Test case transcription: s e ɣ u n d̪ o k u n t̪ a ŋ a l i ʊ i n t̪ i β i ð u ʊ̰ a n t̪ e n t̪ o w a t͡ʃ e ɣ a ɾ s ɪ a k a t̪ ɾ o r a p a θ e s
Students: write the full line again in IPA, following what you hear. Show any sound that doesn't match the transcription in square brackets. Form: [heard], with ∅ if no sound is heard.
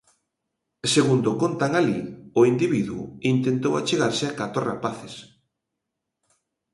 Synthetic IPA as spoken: s e ɣ u n d̪ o k [o] n t̪ a ŋ a l i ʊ i n [d̪] i β i ð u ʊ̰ [i] n t̪ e n t̪ o w a t͡ʃ e ɣ a ɾ s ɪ a k a t̪ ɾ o r a p a θ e s